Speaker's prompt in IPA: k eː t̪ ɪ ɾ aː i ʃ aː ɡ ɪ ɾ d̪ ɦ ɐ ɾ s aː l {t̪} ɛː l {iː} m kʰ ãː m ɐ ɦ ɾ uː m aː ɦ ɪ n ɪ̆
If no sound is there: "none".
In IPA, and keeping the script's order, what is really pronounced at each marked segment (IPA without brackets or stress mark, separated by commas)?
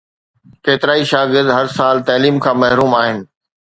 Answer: t̪, iː